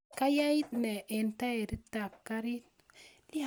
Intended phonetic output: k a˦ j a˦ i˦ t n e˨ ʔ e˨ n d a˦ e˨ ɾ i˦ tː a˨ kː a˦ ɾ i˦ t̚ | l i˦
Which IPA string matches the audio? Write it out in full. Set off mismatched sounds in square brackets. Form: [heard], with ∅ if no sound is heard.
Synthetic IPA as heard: k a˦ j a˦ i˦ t n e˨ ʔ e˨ n [t] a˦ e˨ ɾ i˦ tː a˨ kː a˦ ɾ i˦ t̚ | l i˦